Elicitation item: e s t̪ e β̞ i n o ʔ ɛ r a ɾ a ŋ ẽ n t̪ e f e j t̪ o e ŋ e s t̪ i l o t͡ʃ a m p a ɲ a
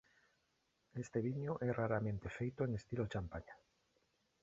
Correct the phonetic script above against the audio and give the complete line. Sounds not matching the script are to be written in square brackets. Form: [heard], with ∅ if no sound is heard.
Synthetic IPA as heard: e s t̪ e β̞ i [ɲ] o ʔ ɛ r a ɾ a [m] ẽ n t̪ e f e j t̪ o e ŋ e s t̪ i l o t͡ʃ a m p a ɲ a

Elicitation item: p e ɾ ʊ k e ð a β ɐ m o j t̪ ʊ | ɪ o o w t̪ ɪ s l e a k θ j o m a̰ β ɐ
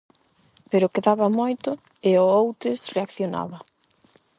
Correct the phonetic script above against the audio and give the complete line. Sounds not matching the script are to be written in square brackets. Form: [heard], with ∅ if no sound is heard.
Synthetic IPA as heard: p e ɾ ʊ k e ð a β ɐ m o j t̪ ʊ | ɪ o o w t̪ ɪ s [r] e a k θ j o [n] a̰ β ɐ

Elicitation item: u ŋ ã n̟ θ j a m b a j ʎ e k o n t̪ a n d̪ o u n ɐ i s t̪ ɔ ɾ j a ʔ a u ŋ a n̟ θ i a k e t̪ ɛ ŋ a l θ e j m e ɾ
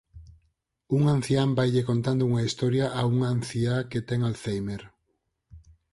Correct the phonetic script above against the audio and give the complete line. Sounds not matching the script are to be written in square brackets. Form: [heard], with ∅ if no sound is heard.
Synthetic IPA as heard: u ŋ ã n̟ θ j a m b a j ʎ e k o n t̪ a n d̪ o u [ŋ] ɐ i s t̪ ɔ ɾ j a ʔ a u ŋ a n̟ θ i a k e t̪ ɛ ŋ a l θ e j m e ɾ

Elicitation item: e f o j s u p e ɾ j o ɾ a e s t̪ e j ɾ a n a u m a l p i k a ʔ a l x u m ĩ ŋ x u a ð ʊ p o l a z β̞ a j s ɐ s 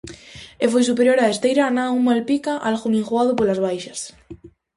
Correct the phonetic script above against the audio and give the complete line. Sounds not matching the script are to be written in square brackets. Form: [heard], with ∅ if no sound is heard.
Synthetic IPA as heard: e f o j s u p e ɾ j o ɾ a e s t̪ e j ɾ a n a u m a l p i k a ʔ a l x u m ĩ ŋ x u a ð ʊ p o l a z β̞ a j [ʃ] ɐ s

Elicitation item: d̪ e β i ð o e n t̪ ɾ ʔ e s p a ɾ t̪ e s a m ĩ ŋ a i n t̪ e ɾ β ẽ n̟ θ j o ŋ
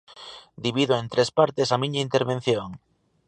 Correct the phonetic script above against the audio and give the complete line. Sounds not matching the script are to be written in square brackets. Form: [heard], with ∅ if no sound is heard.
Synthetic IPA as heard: d̪ [i] β i ð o e n t̪ ɾ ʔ e s p a ɾ t̪ e s a m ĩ [ɲ] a i n t̪ e ɾ β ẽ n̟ θ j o ŋ

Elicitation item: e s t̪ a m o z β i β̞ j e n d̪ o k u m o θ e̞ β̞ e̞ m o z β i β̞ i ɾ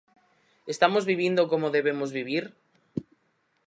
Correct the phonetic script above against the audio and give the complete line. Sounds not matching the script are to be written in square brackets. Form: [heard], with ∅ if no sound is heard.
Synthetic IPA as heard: e s t̪ a m o z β i β̞ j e n d̪ o k [o] m o [ð] e̞ β̞ e̞ m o z β i β̞ i ɾ

